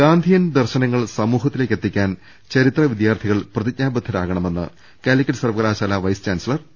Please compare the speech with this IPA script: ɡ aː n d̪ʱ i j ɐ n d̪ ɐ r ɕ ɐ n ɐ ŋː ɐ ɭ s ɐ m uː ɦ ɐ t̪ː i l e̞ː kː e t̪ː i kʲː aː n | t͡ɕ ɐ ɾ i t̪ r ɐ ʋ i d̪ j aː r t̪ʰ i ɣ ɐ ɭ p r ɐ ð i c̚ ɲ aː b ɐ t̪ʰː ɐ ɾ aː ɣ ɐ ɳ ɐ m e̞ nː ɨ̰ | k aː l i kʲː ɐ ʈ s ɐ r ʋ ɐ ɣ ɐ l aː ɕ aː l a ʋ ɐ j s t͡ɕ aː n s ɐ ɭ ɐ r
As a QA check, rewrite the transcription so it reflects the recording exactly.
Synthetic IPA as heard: ɡ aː n d̪ʱ i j ɐ n d̪ ɐ r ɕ ɐ n ɐ ŋː ɐ ɭ s ɐ m uː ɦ ɐ t̪ː i l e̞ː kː e t̪ː i kʲː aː n | t͡ɕ ɐ ɾ i t̪ r ɐ ʋ i d̪ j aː r t̪ʰ i ɣ ɐ ɭ p r ɐ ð i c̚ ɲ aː b ɐ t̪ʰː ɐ ɾ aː ɣ ɐ ɳ ɐ m e̞ nː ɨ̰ | k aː l i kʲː ɐ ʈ s ɐ r ʋ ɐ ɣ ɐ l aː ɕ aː l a ʋ ɐ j s t͡ɕ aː n s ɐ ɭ ɐ r